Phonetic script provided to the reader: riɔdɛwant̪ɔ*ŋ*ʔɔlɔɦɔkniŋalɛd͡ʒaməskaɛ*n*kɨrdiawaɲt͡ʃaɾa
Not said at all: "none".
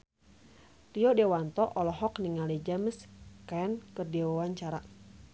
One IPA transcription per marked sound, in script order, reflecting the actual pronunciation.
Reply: none, n

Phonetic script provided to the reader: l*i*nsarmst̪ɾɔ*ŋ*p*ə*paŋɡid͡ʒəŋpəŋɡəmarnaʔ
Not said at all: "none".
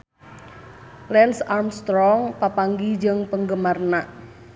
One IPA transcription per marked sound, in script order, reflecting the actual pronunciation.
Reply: ɛ, ŋ, a

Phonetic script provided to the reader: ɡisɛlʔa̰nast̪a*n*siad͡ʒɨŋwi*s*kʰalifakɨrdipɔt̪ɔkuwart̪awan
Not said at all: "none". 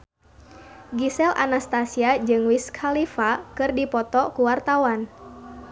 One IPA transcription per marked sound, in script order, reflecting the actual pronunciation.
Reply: none, s

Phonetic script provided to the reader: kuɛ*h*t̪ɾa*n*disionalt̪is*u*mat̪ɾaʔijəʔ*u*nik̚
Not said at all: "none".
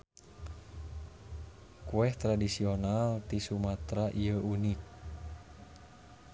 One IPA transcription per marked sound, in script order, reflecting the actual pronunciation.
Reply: h, none, u, u

